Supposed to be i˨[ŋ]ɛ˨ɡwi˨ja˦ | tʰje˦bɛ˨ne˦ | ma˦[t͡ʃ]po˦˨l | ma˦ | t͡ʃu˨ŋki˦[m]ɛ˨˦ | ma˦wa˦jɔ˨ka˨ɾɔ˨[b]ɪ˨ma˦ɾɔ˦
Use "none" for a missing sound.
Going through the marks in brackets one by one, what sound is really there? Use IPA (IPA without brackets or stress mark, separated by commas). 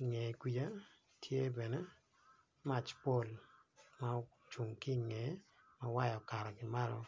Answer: ŋ, t͡ʃ, ŋ, ɡ